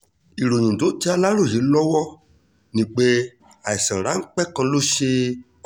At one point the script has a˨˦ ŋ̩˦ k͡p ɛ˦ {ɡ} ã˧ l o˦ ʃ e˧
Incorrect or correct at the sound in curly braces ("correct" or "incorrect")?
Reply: incorrect